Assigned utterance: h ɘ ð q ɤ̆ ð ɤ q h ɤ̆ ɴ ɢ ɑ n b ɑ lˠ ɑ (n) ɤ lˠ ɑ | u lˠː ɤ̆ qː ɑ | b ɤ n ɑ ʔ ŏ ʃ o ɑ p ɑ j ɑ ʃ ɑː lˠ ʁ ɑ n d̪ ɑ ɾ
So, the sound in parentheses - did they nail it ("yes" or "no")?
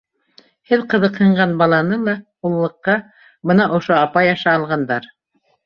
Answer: yes